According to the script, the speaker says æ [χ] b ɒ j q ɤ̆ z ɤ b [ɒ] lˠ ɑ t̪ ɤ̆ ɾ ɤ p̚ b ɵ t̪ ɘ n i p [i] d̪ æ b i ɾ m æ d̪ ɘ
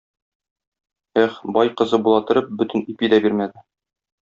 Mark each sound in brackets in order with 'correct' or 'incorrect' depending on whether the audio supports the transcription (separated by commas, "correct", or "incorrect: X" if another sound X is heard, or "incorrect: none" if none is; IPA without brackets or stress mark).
correct, incorrect: u, correct